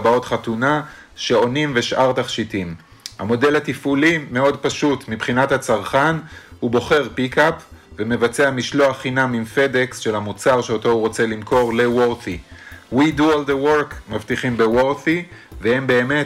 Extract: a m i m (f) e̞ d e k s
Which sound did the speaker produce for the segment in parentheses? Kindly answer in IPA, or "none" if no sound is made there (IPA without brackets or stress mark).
f